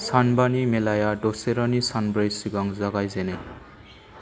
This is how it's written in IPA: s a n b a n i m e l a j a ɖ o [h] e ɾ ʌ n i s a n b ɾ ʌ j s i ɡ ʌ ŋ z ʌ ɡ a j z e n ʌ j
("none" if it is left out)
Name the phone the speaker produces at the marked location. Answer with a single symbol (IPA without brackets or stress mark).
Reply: s